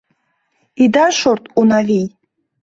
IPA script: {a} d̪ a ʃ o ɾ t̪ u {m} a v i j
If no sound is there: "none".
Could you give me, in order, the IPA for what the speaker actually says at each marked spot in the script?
i, n

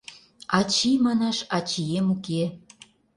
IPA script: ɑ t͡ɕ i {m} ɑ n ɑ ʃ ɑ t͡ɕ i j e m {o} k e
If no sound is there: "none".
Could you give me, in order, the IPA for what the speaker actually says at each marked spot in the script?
m, u

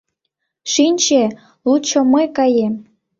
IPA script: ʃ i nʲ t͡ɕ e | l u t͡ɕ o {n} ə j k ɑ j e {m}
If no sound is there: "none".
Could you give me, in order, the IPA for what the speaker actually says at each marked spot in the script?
m, m

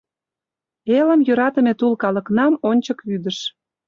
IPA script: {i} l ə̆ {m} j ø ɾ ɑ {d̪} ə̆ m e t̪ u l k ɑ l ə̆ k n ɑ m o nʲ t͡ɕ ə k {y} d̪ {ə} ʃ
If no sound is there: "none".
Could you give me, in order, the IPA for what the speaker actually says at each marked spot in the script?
e, m, t̪, y, ə

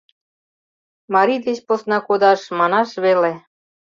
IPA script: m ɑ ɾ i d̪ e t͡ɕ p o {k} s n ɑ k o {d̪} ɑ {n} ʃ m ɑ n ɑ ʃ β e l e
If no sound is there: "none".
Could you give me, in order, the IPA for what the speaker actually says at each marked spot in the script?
none, d̪, none

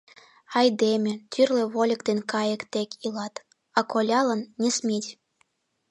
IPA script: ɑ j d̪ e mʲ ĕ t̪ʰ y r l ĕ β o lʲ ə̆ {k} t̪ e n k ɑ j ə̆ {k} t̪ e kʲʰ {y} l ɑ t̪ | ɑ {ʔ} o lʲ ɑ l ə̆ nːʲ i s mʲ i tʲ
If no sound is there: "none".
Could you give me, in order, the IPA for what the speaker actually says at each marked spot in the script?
k, k, i, k

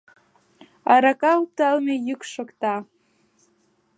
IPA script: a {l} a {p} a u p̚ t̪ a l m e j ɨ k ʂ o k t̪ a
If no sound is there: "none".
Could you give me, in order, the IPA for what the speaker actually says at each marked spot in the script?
ɾ, k

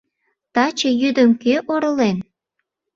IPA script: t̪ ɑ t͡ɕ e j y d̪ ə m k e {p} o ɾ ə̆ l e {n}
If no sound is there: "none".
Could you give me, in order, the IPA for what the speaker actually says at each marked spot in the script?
ʔ, n

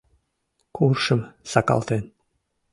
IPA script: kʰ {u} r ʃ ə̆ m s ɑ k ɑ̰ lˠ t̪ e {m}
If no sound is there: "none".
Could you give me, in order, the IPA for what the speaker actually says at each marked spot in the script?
u, n

